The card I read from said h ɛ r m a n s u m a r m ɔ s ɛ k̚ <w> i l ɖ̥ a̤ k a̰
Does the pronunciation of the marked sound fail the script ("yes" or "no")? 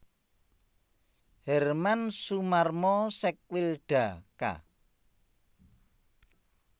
no